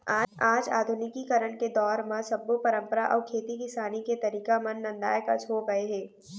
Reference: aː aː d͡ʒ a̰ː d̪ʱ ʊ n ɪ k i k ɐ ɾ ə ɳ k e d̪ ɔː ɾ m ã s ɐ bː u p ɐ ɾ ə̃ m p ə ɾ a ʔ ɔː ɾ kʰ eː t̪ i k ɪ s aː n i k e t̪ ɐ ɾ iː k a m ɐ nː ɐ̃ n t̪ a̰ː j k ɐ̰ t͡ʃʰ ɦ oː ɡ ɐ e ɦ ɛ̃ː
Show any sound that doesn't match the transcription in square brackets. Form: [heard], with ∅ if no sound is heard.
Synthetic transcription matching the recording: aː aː d͡ʒ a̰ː d̪ʱ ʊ n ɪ k i k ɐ ɾ ə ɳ k e d̪ ɔː ɾ m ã s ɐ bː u p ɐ ɾ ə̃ m p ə ɾ a ʔ ɔː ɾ kʰ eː t̪ i k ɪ s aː n i k e t̪ ɐ ɾ iː k a m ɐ nː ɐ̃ n [d̪] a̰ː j k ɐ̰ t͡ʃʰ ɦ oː ɡ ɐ e ɦ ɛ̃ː